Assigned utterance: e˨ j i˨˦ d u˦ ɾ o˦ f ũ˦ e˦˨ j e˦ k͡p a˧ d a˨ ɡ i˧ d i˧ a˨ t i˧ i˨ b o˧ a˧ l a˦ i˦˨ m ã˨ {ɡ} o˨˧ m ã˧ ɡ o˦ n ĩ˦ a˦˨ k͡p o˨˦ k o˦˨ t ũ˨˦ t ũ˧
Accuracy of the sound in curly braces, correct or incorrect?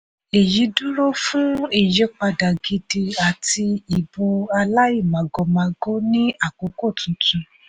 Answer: correct